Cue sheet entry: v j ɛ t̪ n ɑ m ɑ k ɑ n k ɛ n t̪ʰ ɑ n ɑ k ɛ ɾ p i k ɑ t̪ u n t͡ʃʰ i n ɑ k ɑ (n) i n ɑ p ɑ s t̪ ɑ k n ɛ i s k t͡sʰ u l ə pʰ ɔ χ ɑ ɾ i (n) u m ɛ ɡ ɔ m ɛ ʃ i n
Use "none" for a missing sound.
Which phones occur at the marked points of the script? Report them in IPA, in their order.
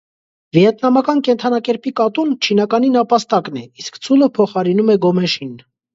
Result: n, n

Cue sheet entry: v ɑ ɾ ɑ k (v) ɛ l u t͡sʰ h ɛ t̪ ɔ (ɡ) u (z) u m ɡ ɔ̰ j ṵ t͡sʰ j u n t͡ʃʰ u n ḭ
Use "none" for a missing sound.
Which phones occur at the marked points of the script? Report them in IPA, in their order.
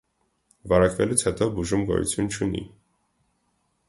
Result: v, b, ʒ

